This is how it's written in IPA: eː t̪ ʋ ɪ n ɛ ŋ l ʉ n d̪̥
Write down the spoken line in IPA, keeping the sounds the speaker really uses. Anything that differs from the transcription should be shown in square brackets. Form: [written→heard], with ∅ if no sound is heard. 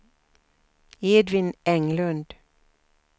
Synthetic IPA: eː [t̪→d̪] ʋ ɪ n ɛ ŋ l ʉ n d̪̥